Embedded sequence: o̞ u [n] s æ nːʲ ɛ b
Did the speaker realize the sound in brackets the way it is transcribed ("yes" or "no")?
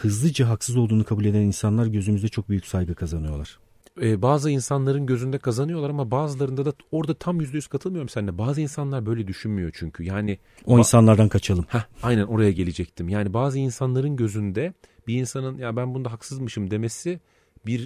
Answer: no